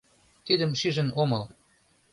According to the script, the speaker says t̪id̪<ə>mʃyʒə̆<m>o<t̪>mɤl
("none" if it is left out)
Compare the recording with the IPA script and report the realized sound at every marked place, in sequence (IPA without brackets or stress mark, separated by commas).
ə, n, none